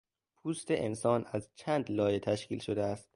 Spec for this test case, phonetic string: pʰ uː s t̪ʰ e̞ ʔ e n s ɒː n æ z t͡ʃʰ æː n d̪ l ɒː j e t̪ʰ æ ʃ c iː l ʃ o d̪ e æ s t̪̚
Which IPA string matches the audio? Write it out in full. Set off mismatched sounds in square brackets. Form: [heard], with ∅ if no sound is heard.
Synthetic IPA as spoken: pʰ uː s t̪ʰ e̞ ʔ e n s ɒː n æ z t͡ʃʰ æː n d̪ l ɒː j e t̪ʰ æ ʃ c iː l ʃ o d̪ e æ s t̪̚